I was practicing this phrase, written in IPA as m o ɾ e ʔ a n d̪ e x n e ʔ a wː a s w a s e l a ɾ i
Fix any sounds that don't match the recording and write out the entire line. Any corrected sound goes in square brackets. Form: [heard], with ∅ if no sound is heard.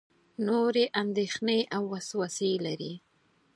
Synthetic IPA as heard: [n] o ɾ e ʔ a n d̪ e x n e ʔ a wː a s w a s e l a ɾ i